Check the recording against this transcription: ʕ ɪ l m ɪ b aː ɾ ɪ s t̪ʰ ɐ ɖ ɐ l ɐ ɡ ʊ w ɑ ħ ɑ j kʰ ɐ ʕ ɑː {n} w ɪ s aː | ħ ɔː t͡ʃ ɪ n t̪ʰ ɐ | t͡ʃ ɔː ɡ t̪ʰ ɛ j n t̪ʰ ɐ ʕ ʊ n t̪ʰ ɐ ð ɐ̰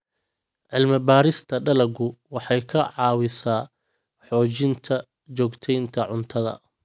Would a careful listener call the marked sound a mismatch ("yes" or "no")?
yes